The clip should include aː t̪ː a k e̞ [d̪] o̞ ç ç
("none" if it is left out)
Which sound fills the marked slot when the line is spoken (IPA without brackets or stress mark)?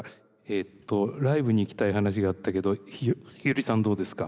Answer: d̪